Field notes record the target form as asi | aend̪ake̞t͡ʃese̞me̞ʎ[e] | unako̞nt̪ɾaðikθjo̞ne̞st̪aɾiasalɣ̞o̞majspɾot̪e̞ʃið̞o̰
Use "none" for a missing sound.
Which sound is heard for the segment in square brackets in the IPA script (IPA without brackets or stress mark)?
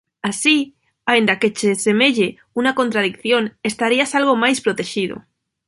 e